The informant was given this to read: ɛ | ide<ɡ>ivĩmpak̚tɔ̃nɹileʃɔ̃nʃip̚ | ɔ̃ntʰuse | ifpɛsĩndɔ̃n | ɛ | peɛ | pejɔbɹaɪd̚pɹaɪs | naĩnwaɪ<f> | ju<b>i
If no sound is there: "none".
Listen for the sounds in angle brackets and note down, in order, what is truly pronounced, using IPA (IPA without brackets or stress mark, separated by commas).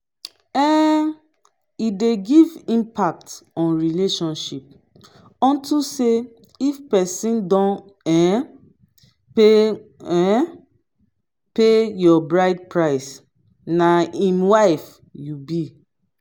ɡ, f, b